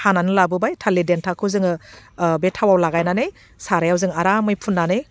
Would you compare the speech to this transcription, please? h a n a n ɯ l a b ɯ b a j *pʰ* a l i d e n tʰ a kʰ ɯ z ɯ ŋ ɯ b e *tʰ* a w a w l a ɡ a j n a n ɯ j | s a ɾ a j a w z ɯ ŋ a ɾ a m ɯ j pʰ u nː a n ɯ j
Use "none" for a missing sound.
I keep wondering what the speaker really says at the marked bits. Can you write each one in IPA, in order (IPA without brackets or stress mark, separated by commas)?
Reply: tʰ, tʰ